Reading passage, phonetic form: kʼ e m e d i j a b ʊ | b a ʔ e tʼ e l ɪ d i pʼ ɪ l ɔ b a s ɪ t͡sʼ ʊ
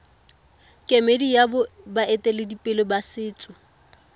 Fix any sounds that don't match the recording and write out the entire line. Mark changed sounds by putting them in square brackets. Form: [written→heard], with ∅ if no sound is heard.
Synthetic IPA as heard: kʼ e m e d i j a b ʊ | b a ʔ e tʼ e l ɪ d i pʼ ɪ l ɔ b a s [ɪ→ɪː] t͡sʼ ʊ